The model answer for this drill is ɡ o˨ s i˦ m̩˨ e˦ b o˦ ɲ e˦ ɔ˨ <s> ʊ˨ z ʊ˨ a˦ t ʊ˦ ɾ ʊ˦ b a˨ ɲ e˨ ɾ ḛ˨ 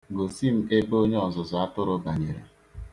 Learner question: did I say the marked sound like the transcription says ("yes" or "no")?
no